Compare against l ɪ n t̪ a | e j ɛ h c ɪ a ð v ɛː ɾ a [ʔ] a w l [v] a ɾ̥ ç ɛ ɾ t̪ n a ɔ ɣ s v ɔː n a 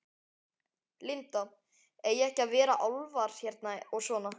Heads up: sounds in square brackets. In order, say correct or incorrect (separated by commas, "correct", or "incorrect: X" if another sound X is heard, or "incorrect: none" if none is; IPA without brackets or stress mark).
correct, correct